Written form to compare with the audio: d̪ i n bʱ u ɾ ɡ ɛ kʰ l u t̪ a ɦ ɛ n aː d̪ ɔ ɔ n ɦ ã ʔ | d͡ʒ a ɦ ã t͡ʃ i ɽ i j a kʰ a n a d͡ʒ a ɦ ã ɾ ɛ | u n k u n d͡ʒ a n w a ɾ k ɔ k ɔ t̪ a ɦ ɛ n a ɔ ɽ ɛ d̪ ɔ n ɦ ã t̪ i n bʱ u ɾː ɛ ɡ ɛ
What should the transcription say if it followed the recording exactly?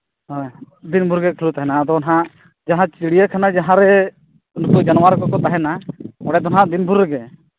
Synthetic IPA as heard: d̪ i n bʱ u ɾ ɡ ɛ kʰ l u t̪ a ɦ ɛ n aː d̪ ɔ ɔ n ɦ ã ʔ | d͡ʒ a ɦ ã t͡ʃ i ɽ i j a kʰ a n a d͡ʒ a ɦ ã ɾ ɛ | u n k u d͡ʒ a n w a ɾ k ɔ k ɔ t̪ a ɦ ɛ n a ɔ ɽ ɛ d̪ ɔ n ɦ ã d̪ i n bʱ u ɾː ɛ ɡ ɛ

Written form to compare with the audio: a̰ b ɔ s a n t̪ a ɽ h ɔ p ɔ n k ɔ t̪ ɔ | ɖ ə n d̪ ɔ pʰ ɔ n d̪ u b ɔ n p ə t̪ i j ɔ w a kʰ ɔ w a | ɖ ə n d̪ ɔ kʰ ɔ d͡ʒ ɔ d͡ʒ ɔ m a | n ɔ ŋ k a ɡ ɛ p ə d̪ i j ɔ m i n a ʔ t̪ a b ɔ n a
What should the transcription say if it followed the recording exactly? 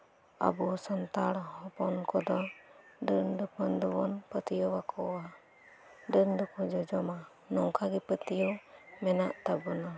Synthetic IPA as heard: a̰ b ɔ s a n t̪ a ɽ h ɔ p ɔ n k ɔ d̪ ɔ | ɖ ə n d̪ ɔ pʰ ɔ n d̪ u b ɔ n p ə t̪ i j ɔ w a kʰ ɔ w a | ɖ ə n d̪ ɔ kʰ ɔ d͡ʒ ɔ d͡ʒ ɔ m a | n ɔ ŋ k a ɡ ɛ p ə t̪ i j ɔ m ɛ n a ʔ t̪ a b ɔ n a

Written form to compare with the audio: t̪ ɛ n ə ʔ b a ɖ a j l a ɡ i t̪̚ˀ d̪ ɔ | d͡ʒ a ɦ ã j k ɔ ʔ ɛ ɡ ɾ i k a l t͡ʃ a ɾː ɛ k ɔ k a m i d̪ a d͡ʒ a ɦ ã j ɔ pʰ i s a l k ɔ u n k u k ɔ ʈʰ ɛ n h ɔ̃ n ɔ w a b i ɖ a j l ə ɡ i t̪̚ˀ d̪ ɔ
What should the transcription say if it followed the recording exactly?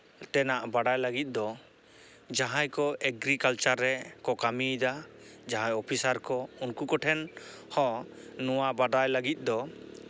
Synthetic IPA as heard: t̪ ɛ n a ʔ b a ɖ a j l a ɡ i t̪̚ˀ d̪ ɔ | d͡ʒ a ɦ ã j k ɔ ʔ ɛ ɡ ɾ i k a l t͡ʃ a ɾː ɛ k ɔ k a m i d̪ a d͡ʒ a ɦ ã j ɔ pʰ i s a ɾ k ɔ u n k u k ɔ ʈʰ ɛ n h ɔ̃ n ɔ w a b a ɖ a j l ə ɡ i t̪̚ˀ d̪ ɔ

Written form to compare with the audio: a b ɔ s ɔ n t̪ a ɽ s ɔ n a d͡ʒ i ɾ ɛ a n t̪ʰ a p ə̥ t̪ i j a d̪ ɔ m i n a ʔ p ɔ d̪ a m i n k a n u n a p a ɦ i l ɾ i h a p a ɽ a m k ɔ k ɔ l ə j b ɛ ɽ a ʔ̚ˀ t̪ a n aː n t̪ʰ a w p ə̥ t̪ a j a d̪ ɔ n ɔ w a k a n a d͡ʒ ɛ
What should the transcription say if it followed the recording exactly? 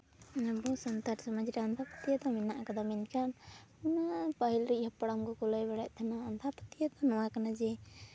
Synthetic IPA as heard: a b ɔ s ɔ n t̪ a ɾ s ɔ m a d͡ʒ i ɾ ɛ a n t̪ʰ a p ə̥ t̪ i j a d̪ ɔ m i n a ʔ k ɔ d̪ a m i n k a n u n a p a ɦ i l ɾ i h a p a ɽ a m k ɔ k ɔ l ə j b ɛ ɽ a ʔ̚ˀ t̪ʰ a n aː n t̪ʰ a p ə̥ t̪ i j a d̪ ɔ n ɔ w a k a n a d͡ʒ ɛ

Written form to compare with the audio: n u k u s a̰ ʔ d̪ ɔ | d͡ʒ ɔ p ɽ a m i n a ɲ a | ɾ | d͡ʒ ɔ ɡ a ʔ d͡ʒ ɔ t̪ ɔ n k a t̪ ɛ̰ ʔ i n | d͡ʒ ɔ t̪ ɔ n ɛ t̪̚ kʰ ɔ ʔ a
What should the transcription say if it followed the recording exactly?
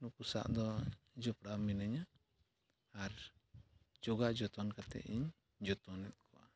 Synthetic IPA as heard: n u k u s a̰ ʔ d̪ ɔ | d͡ʒ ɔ p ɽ a m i n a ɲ a | ɾ | d͡ʒ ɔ ɡ a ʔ d͡ʒ ɔ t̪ ɔ n k a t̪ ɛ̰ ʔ i ɲ | d͡ʒ ɔ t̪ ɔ n ɛ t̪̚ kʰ ɔ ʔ a

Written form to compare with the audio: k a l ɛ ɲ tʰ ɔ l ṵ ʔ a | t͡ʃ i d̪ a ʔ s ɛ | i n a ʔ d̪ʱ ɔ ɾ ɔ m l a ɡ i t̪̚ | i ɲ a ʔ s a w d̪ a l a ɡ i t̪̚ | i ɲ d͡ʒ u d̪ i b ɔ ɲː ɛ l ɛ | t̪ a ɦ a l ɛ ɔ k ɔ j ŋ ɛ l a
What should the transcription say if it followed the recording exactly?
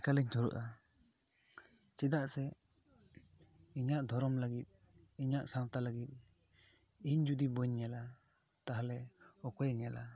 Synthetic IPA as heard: k a l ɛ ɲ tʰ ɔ ɾ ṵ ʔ a | t͡ʃ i d̪ a ʔ s ɛ | i ɲ a ʔ d̪ʱ ɔ ɾ ɔ m l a ɡ i t̪̚ | i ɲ a ʔ s a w t̪ a l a ɡ i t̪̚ | i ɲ d͡ʒ u d̪ i b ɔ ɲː ɛ l a | t̪ a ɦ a l ɛ ɔ k ɔ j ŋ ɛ l a

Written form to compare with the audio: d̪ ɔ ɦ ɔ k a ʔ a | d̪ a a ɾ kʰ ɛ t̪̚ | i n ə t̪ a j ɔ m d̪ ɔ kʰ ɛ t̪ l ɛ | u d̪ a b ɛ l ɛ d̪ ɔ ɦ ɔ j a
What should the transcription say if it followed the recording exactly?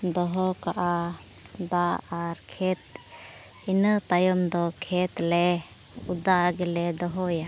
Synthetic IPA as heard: d̪ ɔ ɦ ɔ k a ʔ a | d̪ a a ɾ kʰ ɛ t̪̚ | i n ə t̪ a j ɔ m d̪ ɔ kʰ ɛ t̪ l ɛ | u d̪ a ɡ ɛ l ɛ d̪ ɔ ɦ ɔ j a

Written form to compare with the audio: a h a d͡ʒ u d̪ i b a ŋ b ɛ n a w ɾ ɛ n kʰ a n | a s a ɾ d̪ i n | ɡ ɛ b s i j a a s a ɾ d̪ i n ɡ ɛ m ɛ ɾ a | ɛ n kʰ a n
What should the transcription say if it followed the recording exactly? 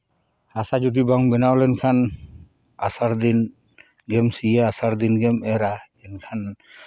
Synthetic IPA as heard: a s a d͡ʒ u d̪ i b a ŋ b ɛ n a w l ɛ n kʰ a n | a s a ɾ d̪ i n | ɡ ɛ m s i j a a s a ɾ d̪ i n ɡ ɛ m ɛ ɾ a | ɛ n kʰ a n

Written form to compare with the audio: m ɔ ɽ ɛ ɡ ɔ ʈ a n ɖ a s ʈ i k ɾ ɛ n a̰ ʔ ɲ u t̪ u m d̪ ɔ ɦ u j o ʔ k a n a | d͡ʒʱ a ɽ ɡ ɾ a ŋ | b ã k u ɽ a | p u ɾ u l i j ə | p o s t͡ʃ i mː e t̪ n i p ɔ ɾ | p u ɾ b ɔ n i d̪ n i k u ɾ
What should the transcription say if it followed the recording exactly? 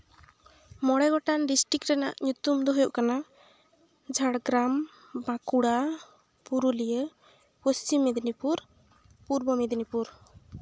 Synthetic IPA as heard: m ɔ ɽ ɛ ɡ ɔ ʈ a n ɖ i s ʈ i k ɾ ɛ n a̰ ʔ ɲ u t̪ u m d̪ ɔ ɦ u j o ʔ k a n a | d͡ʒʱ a ɽ ɡ ɾ a m | b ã k u ɽ a | p u ɾ u l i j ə | p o s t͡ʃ i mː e d̪ n i p u ɾ | p u ɾ b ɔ m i d̪ n i p u ɾ

